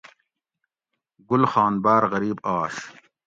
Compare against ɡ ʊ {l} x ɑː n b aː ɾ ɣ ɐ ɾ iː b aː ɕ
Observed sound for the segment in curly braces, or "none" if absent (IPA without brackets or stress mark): l